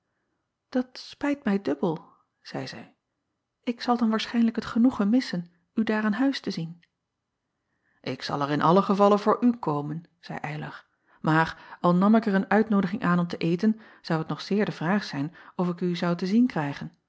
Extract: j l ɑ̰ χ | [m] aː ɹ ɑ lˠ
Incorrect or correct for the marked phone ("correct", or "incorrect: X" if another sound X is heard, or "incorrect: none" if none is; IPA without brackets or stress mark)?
correct